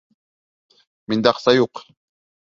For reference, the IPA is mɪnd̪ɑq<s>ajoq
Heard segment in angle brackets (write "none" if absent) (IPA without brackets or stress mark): s